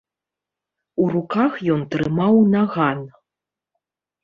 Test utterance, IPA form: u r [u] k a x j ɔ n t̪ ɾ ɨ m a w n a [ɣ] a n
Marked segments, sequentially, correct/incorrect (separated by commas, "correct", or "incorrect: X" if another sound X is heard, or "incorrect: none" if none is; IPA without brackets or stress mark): correct, correct